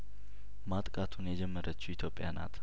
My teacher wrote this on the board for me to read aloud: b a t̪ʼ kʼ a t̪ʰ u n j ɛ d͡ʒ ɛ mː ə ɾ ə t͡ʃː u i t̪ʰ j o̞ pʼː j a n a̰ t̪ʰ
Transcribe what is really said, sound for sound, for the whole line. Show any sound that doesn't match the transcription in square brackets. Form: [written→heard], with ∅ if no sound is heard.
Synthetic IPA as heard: [b→m] a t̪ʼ kʼ a t̪ʰ u n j ɛ d͡ʒ ɛ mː ə ɾ ə t͡ʃː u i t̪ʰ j o̞ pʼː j a n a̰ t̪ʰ